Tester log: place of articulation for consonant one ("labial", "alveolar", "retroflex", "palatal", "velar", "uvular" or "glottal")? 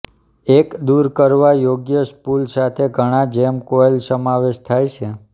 velar